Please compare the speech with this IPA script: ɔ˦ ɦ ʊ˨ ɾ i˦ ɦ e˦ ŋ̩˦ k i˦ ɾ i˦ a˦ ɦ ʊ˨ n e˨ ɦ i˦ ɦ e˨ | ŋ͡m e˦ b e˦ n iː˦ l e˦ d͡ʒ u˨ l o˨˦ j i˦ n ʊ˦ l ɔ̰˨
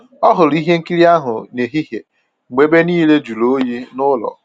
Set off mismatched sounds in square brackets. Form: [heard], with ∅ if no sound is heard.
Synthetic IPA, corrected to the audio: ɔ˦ ɦ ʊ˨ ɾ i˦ ɦ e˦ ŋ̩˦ k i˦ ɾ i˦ a˦ ɦ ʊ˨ n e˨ ɦ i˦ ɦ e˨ | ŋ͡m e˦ b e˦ n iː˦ l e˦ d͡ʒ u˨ l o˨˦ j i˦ n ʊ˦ l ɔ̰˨